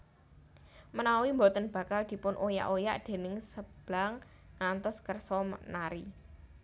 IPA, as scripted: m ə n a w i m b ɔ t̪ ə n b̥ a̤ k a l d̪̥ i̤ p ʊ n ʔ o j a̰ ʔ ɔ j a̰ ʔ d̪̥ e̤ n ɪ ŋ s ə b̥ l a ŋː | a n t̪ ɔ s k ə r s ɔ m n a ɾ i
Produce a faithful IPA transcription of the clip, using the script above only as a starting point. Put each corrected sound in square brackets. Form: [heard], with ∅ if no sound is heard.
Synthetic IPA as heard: m ə n a w i m b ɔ t̪ ə n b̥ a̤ k a l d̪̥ i̤ p ʊ n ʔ o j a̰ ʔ [o] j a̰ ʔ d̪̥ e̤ n ɪ ŋ s ə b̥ l a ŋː | a n t̪ ɔ s k ə r s ɔ m n a ɾ i